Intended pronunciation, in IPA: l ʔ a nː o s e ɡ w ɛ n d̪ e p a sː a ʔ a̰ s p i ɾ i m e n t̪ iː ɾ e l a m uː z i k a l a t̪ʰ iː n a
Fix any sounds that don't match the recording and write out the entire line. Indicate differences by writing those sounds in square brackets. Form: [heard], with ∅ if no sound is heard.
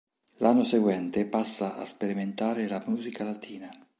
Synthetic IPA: l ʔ a nː o s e ɡ w ɛ n [t̪] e p a sː a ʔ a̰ s p [e] ɾ i m e n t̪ [aː] ɾ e l a m uː z i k a l a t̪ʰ iː n a